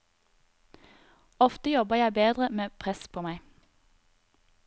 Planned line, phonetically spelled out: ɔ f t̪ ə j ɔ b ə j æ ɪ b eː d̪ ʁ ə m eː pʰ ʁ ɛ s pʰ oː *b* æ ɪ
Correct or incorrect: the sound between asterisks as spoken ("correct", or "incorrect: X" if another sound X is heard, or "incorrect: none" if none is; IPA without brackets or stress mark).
incorrect: m